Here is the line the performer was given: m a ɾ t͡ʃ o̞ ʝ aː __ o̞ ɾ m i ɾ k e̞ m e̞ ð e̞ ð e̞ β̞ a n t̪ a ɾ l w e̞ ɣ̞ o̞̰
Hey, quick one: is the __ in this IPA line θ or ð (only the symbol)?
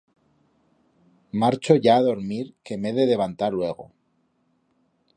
ð